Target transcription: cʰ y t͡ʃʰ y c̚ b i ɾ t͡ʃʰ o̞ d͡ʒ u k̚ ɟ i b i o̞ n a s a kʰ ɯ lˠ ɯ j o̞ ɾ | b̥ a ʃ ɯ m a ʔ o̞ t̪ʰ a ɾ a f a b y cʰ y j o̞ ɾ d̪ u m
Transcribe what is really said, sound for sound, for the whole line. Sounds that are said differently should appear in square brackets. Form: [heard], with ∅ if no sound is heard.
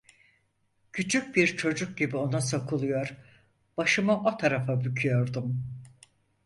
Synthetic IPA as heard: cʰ y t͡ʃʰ y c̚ b i ɾ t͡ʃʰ o̞ d͡ʒ u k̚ ɟ i b i o̞ n a s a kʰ ɯ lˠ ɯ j o̞ ɾ | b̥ a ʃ ɯ m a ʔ o̞ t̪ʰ a ɾ a f a b y cʰ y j o̞ ɾ d̪ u m